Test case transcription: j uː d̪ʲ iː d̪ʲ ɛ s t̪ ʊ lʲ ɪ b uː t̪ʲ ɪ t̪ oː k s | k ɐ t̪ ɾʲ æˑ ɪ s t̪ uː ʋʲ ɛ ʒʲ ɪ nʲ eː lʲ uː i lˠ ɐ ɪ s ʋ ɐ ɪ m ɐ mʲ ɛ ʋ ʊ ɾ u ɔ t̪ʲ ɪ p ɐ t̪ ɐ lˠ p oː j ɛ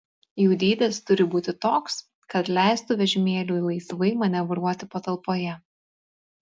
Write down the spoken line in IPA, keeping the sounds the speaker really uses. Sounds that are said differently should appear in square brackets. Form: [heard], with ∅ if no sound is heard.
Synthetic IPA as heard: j uː d̪ʲ iː d̪ʲ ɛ s t̪ ʊ [ɾʲ] ɪ b uː t̪ʲ ɪ t̪ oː k s | k ɐ t̪ [lʲ] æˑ ɪ s t̪ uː ʋʲ ɛ ʒʲ ɪ [mʲ] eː lʲ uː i lˠ ɐ ɪ s ʋ ɐ ɪ m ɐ [nʲ] ɛ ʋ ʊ ɾ u ɔ t̪ʲ ɪ p ɐ t̪ ɐ lˠ p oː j ɛ